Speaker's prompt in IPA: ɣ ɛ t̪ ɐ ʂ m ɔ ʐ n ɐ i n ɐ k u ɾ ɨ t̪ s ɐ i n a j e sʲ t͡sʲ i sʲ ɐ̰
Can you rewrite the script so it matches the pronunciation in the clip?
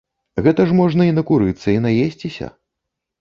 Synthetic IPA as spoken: ɣ ɛ t̪ ɐ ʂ m ɔ ʐ n ɐ i n ɐ k u ɾ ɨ t̪ sː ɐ i n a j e sʲ t͡sʲ i sʲ ɐ̰